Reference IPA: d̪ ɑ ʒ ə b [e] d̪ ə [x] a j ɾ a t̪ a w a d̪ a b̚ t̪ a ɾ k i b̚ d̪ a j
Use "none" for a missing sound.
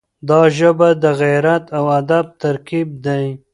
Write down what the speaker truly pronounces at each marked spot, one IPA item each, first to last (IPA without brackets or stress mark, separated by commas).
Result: a, ɣ